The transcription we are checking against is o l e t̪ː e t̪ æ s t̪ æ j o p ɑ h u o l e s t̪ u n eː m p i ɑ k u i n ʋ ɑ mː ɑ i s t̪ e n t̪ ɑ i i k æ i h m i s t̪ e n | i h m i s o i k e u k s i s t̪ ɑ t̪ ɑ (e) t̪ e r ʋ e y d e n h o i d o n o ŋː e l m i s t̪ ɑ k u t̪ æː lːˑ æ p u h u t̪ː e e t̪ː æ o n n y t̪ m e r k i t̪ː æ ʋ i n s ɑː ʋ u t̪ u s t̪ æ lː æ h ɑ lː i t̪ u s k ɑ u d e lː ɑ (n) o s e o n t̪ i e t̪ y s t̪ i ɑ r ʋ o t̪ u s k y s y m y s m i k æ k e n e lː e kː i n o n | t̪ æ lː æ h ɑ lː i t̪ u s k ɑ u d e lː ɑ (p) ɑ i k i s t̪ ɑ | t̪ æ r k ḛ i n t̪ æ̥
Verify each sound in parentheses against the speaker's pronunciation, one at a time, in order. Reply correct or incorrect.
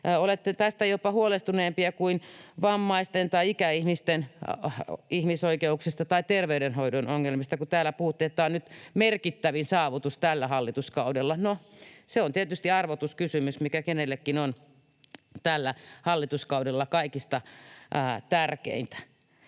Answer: incorrect: i, correct, incorrect: k

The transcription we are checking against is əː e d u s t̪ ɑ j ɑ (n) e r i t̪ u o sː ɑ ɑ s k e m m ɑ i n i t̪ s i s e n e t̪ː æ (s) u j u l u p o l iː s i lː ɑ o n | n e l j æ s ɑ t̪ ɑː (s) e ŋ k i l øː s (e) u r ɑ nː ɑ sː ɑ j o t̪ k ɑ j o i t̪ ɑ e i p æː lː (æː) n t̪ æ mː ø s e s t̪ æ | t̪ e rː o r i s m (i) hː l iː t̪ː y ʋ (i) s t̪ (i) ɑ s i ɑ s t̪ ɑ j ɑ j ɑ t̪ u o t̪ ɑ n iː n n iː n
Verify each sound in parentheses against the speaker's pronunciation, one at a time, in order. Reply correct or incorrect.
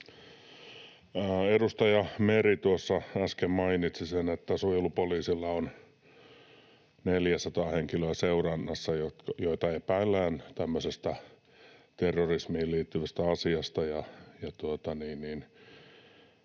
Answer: incorrect: m, correct, incorrect: h, correct, correct, correct, incorrect: æ, incorrect: æ

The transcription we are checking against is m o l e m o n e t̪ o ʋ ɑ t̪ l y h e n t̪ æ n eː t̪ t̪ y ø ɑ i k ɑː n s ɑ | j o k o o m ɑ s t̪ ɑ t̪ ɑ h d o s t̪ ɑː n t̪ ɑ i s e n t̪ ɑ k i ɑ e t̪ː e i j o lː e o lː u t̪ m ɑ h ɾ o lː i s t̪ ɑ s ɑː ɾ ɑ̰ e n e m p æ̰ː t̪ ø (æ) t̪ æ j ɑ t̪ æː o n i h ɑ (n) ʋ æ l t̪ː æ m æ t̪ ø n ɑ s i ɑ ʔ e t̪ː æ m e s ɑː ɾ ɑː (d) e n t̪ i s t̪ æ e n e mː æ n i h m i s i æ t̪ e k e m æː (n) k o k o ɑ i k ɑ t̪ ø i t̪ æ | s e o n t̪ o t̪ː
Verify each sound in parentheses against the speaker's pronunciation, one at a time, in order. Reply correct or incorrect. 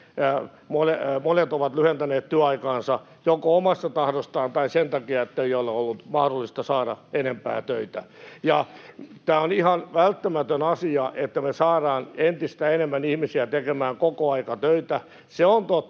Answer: incorrect: i, correct, incorrect: n, incorrect: ŋ

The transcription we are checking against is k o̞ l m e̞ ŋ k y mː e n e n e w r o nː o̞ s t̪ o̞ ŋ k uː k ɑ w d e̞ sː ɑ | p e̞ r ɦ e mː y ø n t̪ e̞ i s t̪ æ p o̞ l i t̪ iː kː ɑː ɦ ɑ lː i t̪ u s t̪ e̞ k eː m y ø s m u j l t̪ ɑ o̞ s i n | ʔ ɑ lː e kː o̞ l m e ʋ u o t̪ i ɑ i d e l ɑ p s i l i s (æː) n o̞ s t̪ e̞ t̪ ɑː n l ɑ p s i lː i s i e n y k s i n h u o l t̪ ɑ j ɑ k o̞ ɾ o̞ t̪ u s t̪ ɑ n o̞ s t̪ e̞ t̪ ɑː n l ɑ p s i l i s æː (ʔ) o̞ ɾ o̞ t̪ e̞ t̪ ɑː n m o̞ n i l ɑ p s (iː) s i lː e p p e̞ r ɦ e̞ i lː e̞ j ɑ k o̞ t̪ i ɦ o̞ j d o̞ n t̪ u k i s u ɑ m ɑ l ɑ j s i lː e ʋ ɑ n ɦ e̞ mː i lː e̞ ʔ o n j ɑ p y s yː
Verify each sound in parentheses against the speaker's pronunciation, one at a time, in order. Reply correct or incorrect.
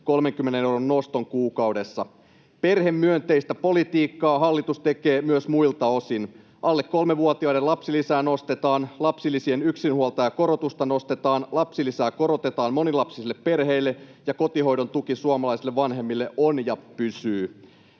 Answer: correct, incorrect: k, incorrect: i

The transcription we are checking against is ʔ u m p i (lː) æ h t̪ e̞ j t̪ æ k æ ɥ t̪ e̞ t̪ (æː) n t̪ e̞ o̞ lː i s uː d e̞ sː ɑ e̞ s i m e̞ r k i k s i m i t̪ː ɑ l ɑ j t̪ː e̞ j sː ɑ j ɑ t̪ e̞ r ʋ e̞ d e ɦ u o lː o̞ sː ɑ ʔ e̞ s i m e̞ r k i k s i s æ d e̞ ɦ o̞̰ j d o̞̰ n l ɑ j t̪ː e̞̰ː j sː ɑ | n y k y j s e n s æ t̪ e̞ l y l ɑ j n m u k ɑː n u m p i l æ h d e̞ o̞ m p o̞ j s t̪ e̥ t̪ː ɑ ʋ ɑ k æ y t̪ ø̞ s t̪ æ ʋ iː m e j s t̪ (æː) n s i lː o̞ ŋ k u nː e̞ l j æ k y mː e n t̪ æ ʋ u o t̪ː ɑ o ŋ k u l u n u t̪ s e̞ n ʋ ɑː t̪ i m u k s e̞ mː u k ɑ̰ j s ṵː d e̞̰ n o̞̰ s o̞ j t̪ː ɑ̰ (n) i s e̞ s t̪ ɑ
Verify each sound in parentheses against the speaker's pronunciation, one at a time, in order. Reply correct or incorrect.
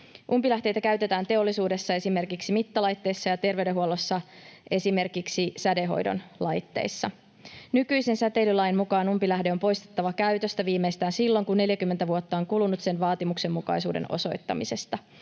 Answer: incorrect: l, correct, correct, incorrect: m

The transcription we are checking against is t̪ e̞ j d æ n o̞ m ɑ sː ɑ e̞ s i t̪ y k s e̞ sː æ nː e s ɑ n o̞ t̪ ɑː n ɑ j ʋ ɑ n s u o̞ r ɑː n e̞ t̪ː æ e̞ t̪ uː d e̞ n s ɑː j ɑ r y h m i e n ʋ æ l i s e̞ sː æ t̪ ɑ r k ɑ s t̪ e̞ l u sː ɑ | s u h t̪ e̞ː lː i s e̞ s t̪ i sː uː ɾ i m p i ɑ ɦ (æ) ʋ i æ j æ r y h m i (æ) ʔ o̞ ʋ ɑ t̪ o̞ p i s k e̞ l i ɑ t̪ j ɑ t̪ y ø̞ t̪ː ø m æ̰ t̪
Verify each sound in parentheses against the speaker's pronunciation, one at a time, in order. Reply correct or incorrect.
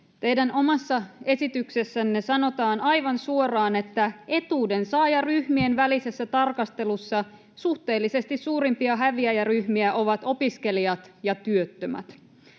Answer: correct, correct

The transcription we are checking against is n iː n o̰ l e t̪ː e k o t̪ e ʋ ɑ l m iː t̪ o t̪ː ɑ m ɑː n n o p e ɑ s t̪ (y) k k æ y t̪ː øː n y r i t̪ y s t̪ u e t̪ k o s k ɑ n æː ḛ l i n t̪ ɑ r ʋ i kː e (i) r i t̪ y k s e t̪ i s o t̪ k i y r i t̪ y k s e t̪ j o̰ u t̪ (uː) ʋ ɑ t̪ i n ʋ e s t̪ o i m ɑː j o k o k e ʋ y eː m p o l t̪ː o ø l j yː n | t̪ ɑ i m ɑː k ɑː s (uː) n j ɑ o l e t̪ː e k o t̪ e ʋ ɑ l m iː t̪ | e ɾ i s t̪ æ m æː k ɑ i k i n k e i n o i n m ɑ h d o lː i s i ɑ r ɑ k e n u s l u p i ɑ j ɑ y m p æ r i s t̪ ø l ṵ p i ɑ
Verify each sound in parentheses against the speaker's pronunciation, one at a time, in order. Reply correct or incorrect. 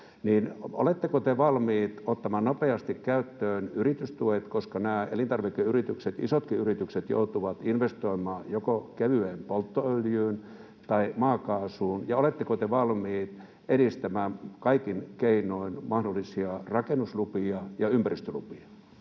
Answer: incorrect: i, incorrect: y, incorrect: u, correct

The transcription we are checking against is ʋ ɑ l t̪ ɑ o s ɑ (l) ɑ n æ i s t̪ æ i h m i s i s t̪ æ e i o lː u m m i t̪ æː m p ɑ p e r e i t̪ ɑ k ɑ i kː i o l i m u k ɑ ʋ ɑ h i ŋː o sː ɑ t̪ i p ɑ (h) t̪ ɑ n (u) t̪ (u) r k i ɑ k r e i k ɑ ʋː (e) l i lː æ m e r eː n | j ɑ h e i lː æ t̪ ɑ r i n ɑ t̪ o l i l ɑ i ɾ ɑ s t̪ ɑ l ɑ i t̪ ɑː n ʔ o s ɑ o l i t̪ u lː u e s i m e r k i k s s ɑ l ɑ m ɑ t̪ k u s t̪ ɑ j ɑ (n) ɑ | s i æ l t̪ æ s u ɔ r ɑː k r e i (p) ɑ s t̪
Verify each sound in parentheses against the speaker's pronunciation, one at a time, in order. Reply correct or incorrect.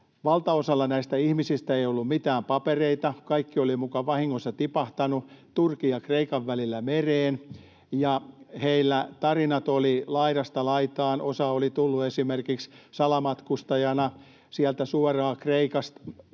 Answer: incorrect: lː, correct, correct, correct, incorrect: æ, correct, incorrect: k

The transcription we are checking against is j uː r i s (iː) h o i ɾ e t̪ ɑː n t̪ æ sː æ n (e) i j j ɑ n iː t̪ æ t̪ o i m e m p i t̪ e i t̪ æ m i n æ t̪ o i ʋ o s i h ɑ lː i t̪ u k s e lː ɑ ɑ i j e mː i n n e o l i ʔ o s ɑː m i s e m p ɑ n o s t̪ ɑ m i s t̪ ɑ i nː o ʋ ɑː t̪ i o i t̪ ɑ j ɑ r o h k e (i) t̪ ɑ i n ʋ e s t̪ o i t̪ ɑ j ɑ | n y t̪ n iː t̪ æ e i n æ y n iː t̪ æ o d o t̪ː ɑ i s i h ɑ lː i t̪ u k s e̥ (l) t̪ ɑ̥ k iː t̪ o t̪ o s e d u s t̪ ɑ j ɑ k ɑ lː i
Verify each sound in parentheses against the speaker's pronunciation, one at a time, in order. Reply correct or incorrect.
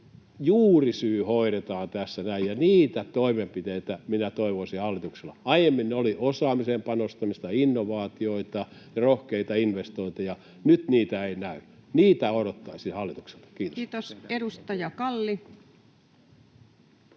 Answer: incorrect: yː, incorrect: æ, correct, correct

